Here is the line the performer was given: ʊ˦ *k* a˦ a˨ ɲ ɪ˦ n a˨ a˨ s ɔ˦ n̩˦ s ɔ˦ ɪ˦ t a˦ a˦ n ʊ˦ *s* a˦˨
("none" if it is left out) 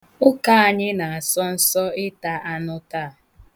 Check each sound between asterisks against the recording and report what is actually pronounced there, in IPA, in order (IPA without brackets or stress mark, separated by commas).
k, t